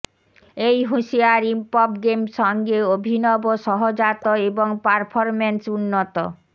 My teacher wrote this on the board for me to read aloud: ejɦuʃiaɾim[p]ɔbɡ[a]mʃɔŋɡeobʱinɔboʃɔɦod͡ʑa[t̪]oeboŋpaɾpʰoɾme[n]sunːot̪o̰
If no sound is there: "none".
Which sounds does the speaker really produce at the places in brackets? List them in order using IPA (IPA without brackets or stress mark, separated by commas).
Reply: p, e, t̪, n